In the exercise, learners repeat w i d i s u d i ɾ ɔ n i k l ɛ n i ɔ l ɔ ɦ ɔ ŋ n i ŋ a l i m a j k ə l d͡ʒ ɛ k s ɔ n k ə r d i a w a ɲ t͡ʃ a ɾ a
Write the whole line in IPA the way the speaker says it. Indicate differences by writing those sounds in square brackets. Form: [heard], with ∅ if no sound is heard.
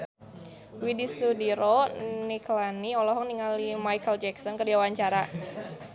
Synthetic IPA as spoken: w i d i s u d i ɾ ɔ n i k l [a] n i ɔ l ɔ ɦ ɔ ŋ n i ŋ a l i m a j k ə l d͡ʒ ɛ k s ɔ n k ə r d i a w a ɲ t͡ʃ a ɾ a